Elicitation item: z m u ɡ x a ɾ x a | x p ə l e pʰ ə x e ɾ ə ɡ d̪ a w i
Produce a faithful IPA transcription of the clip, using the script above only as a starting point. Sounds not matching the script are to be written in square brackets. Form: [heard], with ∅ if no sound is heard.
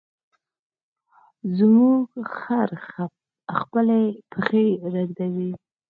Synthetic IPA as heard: z m u ɡ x a ɾ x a | x p ə l e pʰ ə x e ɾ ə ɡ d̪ a w i